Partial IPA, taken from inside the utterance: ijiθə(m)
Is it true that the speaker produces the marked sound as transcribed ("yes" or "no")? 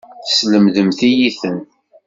no